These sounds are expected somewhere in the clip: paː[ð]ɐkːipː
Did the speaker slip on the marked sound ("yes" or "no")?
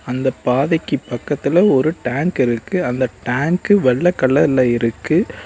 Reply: no